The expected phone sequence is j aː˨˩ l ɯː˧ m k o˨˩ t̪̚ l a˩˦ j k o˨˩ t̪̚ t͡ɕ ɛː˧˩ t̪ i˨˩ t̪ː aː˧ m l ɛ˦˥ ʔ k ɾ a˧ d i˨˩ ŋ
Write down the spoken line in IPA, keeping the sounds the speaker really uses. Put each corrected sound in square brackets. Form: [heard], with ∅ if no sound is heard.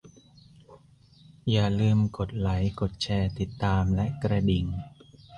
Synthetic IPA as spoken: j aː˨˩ l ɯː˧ m k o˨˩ t̪̚ l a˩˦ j k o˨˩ t̪̚ [t͡ɕʰ] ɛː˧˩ t̪ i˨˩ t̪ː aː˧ m l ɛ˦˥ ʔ k ɾ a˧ d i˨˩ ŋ